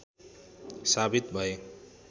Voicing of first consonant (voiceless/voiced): voiceless